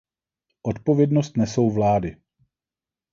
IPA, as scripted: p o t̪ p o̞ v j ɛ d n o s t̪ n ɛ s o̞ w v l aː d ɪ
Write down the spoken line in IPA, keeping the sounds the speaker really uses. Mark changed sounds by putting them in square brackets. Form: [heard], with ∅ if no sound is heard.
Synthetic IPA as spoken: [ʔ] o t̪ p o̞ v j ɛ d n o s t̪ n ɛ s o̞ w v l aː d ɪ